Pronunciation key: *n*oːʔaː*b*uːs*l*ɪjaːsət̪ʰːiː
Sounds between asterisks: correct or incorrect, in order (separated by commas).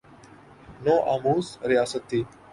correct, incorrect, incorrect